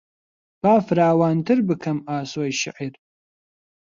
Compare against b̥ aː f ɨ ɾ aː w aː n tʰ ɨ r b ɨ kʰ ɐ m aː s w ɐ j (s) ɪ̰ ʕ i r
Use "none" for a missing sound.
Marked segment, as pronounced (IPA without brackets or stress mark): ʃ